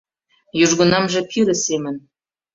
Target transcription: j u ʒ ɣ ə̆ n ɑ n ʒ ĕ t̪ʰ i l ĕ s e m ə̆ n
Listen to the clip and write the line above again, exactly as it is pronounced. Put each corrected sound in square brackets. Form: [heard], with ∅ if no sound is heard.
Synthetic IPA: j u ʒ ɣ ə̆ n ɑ [m] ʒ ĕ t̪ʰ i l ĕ s e m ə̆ n